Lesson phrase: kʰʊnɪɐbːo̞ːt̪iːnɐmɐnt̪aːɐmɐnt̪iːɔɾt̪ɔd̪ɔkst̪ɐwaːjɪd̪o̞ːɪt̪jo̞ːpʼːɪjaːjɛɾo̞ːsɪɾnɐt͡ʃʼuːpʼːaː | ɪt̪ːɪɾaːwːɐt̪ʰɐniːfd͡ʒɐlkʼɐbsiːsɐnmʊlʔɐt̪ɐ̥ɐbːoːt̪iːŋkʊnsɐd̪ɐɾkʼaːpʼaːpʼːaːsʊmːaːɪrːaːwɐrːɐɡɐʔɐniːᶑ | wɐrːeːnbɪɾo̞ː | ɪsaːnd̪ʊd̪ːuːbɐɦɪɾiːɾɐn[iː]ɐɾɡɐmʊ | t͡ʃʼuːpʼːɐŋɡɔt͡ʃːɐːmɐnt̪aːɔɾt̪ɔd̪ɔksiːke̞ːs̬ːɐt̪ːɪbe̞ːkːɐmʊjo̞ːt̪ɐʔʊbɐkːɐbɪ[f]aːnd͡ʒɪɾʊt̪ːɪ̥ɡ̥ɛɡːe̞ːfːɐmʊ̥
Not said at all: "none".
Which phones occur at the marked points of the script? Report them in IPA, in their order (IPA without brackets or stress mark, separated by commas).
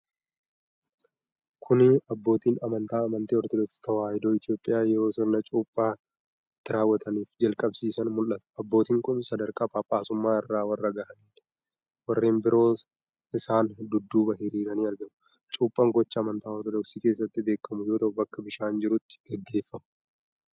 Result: iː, ʃ